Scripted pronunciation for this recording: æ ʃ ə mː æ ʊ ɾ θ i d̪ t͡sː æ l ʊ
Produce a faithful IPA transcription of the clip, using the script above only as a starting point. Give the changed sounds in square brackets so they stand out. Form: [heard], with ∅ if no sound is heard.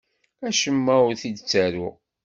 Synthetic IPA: æ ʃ ə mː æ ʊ ɾ θ i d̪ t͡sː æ [ɾ] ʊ